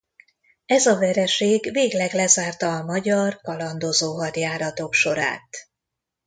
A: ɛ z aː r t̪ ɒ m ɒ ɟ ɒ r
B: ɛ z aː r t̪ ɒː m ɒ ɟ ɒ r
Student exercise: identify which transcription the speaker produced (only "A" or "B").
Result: B